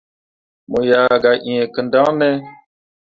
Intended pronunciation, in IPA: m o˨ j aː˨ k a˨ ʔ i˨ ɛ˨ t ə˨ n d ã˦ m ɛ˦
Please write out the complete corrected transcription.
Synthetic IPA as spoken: m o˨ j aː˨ ɡ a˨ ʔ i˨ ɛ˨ k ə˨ n d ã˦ n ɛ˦